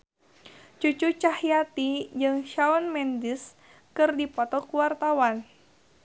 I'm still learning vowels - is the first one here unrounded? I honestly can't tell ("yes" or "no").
no